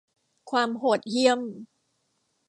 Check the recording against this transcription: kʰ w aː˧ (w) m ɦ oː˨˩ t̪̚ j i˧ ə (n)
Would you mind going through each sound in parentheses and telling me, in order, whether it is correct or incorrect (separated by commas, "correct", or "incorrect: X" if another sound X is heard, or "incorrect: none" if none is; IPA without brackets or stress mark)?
incorrect: none, incorrect: m